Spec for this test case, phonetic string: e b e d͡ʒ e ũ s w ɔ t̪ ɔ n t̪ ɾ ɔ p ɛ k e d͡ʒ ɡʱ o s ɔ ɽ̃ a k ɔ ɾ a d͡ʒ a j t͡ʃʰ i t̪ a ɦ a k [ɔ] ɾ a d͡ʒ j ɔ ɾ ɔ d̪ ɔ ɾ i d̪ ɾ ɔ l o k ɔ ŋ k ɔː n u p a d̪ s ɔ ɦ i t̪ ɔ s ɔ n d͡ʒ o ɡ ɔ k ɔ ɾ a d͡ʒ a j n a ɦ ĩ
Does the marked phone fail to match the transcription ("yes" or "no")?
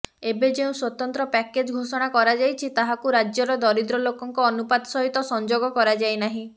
yes